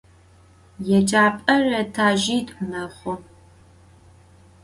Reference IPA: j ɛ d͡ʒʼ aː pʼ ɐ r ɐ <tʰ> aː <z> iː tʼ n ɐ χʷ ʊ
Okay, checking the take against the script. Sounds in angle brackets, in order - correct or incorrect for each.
correct, incorrect: ʒ

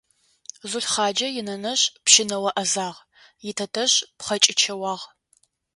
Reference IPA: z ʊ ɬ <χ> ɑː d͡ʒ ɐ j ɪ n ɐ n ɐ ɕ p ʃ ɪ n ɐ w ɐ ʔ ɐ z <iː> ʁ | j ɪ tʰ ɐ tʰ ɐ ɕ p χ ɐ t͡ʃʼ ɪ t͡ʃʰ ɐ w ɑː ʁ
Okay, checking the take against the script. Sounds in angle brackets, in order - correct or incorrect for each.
correct, incorrect: aː

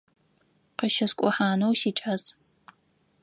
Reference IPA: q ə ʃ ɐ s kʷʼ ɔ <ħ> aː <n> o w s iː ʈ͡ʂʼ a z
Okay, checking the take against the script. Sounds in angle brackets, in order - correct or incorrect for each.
correct, correct

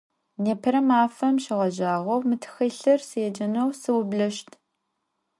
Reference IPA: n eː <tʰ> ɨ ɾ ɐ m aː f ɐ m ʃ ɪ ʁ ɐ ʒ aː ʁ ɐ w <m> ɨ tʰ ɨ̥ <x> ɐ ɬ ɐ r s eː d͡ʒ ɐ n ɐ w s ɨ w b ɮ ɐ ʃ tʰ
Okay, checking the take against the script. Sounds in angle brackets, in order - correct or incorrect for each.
incorrect: pʰ, correct, correct

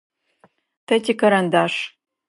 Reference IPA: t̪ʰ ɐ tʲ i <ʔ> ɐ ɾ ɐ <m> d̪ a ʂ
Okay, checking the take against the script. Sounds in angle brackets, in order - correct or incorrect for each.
incorrect: k, incorrect: n

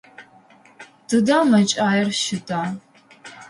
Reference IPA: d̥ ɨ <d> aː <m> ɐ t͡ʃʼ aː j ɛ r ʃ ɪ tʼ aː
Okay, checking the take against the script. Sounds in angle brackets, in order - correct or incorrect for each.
correct, correct

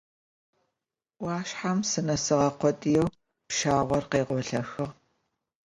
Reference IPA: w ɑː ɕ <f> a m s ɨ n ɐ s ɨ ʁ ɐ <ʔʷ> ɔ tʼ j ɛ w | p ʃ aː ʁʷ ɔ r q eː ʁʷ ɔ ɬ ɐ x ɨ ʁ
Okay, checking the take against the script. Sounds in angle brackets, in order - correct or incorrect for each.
incorrect: ħ, incorrect: qʷ

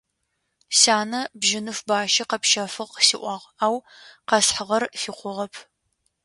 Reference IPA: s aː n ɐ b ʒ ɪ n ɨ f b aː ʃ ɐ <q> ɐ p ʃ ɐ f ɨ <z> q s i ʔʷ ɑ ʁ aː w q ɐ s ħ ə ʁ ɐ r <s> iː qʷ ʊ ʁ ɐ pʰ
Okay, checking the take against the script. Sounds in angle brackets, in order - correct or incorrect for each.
correct, incorrect: ʁ, incorrect: f

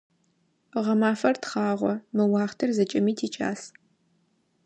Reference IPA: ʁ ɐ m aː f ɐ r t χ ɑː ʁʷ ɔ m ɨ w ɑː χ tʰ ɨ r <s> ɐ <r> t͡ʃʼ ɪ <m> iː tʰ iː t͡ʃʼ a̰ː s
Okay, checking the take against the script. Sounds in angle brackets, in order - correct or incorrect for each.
incorrect: z, incorrect: none, correct

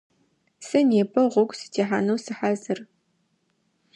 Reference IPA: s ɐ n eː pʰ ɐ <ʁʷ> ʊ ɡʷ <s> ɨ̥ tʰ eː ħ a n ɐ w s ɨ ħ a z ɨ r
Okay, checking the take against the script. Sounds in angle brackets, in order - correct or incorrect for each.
correct, correct

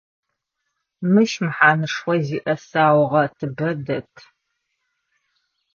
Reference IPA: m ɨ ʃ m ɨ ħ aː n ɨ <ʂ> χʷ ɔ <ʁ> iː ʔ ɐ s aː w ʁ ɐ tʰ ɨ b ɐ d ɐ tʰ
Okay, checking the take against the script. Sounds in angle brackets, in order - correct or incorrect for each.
correct, incorrect: z

